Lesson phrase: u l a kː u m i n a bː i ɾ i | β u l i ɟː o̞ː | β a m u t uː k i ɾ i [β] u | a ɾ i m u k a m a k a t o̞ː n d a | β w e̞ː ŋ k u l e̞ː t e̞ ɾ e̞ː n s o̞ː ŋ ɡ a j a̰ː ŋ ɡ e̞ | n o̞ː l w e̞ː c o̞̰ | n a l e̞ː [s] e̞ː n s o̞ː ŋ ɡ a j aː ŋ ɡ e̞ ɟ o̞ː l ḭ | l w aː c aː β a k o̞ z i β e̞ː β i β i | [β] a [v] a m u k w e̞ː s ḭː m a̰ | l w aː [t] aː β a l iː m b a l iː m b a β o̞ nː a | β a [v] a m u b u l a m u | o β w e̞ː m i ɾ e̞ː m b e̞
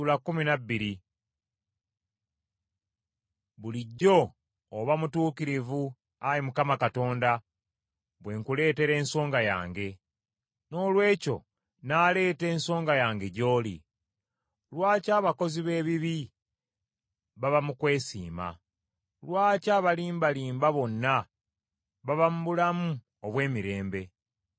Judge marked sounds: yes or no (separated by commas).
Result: no, no, yes, no, no, no